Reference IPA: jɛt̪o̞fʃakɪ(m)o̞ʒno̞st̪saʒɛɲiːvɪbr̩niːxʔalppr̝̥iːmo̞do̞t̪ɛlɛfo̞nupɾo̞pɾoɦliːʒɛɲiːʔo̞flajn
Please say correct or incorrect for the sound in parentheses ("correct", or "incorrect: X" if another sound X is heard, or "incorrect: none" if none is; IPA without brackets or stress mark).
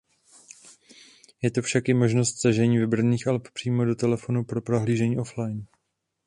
correct